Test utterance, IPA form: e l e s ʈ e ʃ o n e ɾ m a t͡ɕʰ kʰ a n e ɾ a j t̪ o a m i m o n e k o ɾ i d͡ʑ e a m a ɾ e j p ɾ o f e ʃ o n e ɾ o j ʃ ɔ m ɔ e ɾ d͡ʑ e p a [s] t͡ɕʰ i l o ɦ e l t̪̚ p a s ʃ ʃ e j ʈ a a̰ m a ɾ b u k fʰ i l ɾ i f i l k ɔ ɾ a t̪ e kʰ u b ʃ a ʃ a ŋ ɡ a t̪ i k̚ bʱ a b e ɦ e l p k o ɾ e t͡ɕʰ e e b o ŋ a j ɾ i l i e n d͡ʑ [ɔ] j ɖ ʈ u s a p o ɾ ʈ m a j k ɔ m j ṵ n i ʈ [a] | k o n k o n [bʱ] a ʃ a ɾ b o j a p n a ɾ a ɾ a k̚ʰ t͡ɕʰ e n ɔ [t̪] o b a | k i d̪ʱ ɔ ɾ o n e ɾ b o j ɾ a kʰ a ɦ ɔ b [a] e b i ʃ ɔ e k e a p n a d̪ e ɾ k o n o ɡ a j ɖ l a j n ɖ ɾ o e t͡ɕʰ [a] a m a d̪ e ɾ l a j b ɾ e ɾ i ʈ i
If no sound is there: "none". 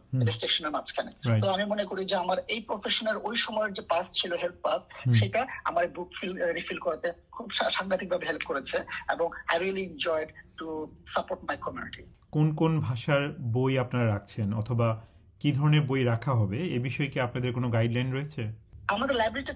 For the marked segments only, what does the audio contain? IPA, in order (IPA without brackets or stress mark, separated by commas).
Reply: s, ɔ, i, bʱ, t̪ʰ, e, e